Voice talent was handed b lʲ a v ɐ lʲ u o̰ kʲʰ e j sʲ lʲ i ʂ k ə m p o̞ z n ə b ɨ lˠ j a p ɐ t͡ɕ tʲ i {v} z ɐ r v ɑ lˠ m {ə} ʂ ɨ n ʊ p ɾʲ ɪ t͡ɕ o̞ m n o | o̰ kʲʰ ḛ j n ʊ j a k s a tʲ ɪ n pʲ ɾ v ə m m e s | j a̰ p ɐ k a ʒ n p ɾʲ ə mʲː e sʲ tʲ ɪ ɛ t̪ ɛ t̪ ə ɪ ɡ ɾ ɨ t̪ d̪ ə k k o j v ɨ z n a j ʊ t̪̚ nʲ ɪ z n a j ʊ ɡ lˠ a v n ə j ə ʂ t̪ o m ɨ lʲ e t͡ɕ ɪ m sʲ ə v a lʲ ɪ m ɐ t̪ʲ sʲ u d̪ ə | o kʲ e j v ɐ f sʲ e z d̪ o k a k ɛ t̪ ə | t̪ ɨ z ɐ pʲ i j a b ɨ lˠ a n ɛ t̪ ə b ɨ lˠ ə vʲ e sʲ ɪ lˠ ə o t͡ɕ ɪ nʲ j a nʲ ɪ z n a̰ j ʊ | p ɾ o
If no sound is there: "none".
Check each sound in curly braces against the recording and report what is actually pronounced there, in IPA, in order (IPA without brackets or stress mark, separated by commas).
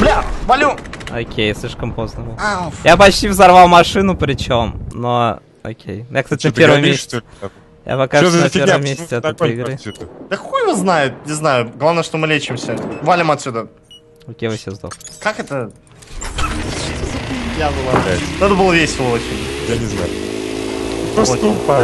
v, ɐ